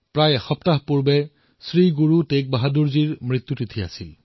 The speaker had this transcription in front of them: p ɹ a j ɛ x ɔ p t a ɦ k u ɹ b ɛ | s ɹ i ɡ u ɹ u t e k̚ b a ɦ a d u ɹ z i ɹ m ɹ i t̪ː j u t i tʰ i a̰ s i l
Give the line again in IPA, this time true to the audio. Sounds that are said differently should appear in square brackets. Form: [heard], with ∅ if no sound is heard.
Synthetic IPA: p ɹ a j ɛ x ɔ p t a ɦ [p] u ɹ b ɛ | s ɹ i ɡ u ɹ u t e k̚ b a ɦ a d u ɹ z i ɹ m ɹ i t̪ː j u t i tʰ i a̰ s i l